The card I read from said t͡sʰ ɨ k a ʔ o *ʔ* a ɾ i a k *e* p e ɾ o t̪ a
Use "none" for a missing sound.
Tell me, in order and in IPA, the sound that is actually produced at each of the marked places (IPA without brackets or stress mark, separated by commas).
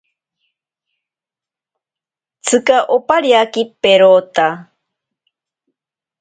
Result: p, i